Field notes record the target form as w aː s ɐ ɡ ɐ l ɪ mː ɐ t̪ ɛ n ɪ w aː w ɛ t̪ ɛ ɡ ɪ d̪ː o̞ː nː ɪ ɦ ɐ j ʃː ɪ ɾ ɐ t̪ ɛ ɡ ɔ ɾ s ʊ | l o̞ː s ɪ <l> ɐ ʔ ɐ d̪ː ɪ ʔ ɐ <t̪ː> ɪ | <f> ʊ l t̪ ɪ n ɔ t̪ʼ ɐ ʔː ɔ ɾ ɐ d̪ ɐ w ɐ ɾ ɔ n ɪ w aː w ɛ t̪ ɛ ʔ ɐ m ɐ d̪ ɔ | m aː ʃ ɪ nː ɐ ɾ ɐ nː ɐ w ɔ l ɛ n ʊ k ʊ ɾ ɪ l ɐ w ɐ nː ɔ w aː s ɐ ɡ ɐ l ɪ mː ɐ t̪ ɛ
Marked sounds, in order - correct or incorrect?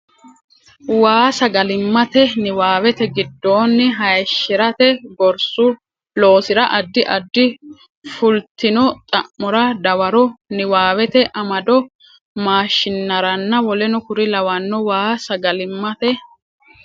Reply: incorrect, incorrect, correct

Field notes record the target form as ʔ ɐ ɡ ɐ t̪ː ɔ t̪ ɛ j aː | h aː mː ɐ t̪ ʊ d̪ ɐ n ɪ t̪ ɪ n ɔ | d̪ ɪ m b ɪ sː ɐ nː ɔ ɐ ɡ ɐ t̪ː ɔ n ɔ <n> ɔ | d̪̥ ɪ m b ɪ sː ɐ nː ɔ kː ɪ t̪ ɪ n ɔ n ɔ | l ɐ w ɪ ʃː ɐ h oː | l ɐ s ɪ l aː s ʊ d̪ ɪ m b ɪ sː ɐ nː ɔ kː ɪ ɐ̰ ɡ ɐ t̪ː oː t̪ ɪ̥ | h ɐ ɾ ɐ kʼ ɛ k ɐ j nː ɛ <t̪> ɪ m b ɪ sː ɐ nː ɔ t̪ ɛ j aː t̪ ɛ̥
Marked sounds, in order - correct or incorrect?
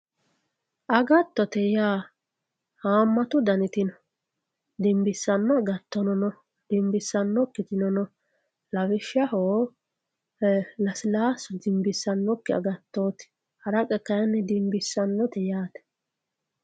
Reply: correct, incorrect

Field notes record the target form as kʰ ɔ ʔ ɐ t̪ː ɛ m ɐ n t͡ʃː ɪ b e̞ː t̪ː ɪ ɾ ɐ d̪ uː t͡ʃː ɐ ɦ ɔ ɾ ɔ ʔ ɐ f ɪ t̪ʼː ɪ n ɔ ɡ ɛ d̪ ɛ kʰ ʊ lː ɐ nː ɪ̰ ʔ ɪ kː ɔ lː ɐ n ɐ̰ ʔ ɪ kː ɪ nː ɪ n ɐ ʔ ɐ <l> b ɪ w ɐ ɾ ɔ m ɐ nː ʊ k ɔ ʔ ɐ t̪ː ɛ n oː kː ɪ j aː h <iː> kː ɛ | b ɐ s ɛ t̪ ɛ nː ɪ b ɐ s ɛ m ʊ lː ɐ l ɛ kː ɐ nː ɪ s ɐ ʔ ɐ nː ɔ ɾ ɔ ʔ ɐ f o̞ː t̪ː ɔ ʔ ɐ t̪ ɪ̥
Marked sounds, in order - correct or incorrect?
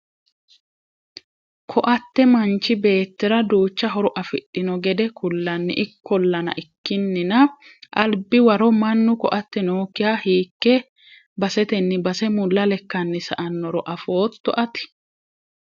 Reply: correct, correct

